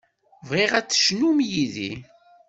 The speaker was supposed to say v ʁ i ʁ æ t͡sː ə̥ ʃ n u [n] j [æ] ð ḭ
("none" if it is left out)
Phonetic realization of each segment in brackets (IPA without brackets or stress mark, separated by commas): m, i